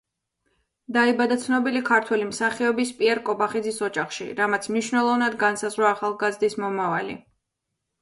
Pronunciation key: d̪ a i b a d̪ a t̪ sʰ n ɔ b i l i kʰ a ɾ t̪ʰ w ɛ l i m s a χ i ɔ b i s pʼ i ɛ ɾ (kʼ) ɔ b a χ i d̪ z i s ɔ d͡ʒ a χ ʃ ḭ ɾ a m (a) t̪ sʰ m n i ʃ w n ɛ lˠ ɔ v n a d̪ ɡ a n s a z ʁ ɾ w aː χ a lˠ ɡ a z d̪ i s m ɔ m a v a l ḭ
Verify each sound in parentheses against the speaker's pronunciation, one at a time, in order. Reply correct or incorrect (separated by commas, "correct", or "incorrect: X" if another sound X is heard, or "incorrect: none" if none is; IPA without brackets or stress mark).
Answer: correct, correct